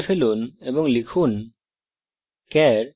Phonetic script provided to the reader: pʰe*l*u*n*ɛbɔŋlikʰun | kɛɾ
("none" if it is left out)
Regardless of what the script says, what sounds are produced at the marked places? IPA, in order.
l, n

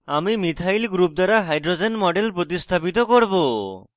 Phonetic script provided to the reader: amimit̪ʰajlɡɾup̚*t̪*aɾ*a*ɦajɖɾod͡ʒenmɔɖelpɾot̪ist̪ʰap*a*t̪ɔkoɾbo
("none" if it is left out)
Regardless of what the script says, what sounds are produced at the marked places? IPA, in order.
d̪, a, i

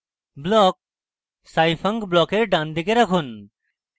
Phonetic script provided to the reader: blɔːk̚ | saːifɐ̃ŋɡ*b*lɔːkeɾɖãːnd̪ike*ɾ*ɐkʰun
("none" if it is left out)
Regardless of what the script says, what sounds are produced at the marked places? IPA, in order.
b, ɾ

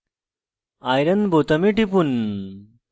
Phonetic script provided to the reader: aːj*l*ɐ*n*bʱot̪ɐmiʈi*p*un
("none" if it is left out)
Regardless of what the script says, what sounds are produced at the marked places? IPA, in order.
ɾ, n, p

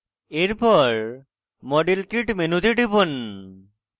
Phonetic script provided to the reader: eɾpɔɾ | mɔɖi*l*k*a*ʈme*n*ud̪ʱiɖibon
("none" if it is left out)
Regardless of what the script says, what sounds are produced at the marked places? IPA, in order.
l, i, n

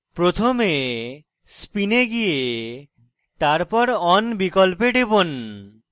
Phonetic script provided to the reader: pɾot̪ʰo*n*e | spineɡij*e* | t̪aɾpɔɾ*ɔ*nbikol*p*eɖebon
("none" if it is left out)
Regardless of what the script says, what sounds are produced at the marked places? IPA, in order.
m, e, ɔ, p

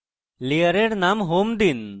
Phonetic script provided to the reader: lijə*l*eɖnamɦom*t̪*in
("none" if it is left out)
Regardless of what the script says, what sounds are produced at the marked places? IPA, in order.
ɾ, d̪

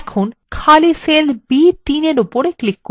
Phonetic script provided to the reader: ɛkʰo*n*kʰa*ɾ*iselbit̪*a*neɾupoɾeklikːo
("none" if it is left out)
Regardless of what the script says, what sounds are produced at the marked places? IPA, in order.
n, l, i

